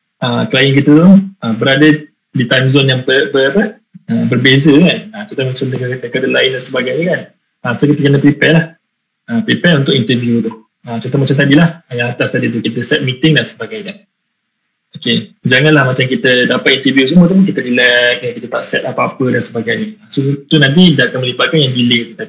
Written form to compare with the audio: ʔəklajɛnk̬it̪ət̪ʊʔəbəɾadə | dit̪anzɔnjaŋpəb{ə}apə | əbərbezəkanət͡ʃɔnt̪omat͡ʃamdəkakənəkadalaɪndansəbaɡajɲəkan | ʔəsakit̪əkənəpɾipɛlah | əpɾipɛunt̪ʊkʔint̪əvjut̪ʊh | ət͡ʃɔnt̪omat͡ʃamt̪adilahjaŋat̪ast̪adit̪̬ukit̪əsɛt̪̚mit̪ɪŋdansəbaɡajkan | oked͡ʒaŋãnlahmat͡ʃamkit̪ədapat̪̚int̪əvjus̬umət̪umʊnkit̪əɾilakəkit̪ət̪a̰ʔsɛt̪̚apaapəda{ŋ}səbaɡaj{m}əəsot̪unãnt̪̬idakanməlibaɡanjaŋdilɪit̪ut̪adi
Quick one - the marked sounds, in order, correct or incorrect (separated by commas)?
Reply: correct, incorrect, incorrect